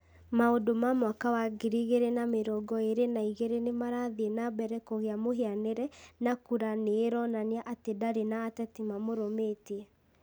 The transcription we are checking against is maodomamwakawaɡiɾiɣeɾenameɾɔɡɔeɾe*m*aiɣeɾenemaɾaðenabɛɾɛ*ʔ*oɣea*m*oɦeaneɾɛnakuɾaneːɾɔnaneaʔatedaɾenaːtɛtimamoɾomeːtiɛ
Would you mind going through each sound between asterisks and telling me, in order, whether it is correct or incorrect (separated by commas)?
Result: incorrect, incorrect, correct